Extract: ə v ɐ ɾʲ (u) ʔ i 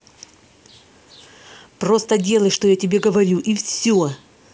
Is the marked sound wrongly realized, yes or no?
no